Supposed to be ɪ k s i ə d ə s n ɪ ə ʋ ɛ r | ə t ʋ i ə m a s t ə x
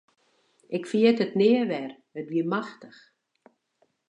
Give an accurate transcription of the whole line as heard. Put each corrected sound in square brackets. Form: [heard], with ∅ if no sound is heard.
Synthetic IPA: ɪ k [f] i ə [t] ə [t] n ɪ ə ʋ ɛ r | ə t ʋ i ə m a [x] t ə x